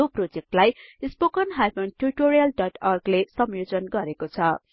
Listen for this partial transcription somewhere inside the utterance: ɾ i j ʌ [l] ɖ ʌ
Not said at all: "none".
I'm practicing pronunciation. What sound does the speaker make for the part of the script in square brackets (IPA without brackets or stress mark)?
l